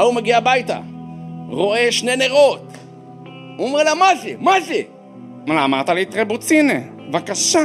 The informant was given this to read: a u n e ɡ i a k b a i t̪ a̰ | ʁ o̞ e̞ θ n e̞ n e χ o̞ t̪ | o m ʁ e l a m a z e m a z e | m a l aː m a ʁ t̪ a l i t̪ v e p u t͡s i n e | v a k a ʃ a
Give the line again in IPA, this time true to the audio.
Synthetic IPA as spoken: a u m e ɡ i a b a j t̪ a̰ | ʁ o̞ e̞ ʃ n e̞ n e ʁ o̞ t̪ | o m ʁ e l a m a z e m a z e | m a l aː m a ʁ t̪ a l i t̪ ʁ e b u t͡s i n e | v a k a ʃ a